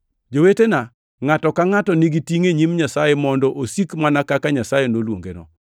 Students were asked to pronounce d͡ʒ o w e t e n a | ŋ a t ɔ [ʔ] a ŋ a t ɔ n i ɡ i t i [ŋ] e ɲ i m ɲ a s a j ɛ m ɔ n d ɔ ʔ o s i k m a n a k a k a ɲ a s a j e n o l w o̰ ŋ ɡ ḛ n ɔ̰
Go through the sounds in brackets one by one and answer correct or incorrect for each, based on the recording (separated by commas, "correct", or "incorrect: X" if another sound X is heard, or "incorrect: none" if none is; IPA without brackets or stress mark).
incorrect: k, correct